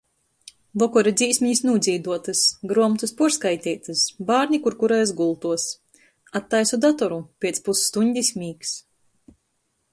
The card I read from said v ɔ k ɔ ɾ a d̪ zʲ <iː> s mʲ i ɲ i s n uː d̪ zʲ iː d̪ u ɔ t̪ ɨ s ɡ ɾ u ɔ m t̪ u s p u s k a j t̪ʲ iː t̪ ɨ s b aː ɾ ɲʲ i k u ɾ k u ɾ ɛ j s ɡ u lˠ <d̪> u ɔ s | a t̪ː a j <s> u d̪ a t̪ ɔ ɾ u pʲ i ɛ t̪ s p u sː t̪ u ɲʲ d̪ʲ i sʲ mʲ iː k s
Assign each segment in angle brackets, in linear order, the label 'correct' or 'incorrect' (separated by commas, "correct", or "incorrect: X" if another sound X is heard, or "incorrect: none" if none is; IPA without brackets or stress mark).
correct, incorrect: t̪, correct